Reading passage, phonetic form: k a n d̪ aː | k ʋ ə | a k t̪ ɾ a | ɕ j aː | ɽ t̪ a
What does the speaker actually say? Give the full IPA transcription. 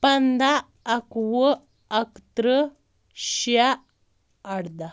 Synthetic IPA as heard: p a n d̪ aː | k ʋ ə | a k t̪ ɾ ə | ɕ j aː | ɽ d̪ a